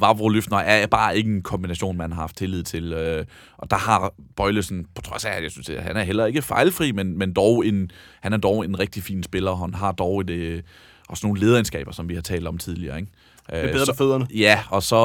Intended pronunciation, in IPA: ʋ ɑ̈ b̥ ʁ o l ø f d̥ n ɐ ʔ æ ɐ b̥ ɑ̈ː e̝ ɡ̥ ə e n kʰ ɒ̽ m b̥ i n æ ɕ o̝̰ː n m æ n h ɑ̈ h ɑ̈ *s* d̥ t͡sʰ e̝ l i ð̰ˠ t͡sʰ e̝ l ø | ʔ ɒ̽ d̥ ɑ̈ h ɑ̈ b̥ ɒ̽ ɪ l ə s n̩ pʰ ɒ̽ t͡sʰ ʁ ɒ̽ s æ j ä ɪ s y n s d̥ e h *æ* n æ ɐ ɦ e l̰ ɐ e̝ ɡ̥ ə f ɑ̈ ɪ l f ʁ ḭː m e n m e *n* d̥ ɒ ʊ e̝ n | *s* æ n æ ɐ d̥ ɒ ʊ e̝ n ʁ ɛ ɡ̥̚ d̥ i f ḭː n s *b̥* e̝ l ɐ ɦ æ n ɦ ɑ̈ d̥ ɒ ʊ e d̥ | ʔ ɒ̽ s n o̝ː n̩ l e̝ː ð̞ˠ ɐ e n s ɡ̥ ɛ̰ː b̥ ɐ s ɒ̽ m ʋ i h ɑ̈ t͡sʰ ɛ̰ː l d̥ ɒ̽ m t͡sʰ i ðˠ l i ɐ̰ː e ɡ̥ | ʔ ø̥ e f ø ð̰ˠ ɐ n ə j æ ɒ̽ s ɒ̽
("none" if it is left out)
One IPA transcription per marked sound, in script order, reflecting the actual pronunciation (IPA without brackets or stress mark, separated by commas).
f, æ, n, h, b̥